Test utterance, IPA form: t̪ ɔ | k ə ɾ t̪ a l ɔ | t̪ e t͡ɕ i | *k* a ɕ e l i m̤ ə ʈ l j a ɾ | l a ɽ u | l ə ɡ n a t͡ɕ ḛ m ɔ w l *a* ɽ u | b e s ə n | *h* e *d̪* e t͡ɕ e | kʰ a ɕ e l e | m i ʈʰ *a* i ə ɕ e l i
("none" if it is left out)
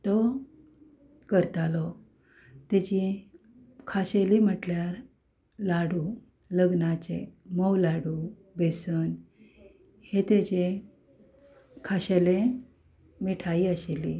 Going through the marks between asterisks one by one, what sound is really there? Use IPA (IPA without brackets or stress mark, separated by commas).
kʰ, a, h, t̪, a